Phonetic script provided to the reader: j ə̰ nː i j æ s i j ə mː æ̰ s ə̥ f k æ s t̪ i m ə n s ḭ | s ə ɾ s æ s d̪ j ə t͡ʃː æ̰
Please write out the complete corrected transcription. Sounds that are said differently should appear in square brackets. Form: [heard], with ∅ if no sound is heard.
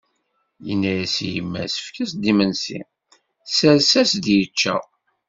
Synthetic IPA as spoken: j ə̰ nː [æ] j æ s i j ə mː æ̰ s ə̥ f k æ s [d̪] i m ə n s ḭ | s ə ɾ s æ s d̪ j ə t͡ʃː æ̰

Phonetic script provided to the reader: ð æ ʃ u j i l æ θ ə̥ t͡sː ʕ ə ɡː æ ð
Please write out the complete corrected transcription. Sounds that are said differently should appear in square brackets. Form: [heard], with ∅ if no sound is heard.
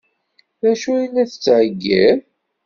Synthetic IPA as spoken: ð æ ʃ u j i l æ θ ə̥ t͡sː ʕ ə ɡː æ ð

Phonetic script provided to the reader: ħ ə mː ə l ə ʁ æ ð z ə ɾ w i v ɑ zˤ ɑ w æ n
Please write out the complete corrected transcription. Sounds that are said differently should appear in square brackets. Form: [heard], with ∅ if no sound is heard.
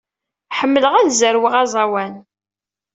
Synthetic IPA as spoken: ħ ə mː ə l ə ʁ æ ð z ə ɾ w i [ʁ] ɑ zˤ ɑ w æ n

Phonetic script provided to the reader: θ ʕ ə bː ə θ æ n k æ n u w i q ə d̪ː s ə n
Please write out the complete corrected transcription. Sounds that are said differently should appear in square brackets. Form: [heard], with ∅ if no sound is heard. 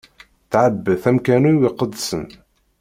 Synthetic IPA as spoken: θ ʕ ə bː ə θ æ [m] k æ n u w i q ə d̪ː s ə n

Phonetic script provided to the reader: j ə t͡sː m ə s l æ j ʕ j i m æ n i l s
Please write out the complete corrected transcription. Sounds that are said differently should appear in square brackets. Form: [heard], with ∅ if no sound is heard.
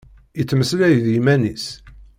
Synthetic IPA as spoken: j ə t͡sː m ə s l æ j [ð] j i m æ n i [∅] s

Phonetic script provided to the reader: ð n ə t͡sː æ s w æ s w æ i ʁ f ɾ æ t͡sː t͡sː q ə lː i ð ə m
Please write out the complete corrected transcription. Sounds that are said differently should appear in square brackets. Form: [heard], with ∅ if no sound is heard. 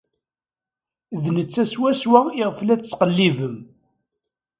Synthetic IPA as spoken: ð n ə t͡sː æ s w æ s w æ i ʁ f [l] æ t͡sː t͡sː q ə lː i [v] ə m

